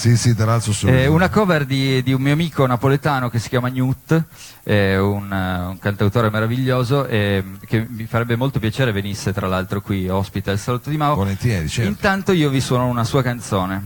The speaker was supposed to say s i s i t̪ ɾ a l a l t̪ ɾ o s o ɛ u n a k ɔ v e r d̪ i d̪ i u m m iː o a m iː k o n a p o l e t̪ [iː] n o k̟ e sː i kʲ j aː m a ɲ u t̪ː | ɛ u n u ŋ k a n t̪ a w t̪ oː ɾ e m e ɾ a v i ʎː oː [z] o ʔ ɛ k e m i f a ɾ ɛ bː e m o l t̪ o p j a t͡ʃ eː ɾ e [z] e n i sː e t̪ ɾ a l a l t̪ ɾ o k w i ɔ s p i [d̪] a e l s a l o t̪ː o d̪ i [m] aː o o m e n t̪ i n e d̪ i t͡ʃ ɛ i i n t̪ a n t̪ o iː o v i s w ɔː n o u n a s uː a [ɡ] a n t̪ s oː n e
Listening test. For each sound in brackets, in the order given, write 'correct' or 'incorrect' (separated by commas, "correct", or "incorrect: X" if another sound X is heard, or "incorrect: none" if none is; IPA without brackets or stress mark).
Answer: incorrect: aː, correct, incorrect: v, incorrect: t̪, correct, incorrect: k